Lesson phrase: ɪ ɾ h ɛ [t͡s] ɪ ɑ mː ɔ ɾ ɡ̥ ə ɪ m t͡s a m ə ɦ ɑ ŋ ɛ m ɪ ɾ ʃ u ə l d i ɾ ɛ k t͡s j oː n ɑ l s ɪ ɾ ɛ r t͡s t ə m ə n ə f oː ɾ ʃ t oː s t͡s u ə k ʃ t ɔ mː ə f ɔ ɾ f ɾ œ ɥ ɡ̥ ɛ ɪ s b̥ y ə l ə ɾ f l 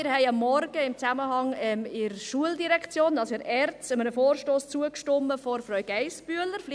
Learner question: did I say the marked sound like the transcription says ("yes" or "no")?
no